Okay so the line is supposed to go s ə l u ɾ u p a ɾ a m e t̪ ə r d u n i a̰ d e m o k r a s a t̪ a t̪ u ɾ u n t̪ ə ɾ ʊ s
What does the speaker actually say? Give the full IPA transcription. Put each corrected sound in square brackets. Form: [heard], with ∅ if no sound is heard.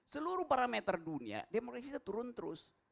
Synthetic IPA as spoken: s ə l u ɾ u p a ɾ a m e t̪ ə r d u n i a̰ d e m o k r a s [i] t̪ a t̪ u ɾ [ʊ] n t̪ ə ɾ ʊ s

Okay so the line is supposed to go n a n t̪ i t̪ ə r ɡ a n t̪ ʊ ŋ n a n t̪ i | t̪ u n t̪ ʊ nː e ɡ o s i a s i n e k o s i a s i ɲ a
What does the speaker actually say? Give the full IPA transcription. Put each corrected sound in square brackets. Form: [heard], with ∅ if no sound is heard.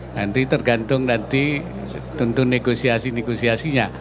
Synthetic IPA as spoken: n a n t̪ i t̪ ə r ɡ a n t̪ ʊ ŋ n a n t̪ i | t̪ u n t̪ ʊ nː e ɡ o s i a s i n e [ɡ] o s i a s i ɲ a

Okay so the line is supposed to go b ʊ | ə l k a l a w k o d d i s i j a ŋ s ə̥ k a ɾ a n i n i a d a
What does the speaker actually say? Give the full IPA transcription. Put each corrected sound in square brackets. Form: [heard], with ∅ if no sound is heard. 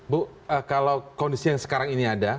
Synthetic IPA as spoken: b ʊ | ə [∅] k a l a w k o [n] d i s i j a ŋ s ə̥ k a ɾ a [ŋ] i n i a d a

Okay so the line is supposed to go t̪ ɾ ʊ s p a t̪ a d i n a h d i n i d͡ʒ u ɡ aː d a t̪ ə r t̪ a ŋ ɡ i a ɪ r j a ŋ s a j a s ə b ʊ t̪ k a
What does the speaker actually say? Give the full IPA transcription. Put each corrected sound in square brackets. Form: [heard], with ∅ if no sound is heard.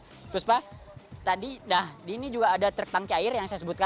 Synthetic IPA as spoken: t̪ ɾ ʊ s p a t̪ a d i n a h d i n i d͡ʒ u ɡ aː d a t̪ ə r t̪ a ŋ [k] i a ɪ r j a ŋ s a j a s ə b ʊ t̪ k a

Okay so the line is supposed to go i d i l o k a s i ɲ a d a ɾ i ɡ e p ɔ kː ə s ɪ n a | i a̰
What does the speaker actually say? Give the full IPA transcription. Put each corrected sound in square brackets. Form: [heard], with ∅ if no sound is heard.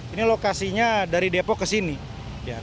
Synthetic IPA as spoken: i [n] i l o k a s i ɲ a d a ɾ i [d] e p ɔ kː ə s [i] n [i] | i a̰

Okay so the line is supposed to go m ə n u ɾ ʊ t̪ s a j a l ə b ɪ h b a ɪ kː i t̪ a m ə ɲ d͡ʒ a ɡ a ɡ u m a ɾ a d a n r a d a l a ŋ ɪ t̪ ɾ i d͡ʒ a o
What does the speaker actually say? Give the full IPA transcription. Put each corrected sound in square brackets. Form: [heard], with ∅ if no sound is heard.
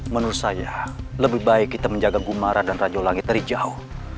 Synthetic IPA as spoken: m ə n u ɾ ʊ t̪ s a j a l ə b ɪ h b a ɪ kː i t̪ a m ə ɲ d͡ʒ a ɡ a ɡ u m a ɾ a d a n r a [d͡ʒ] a l a ŋ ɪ t̪ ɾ i d͡ʒ a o

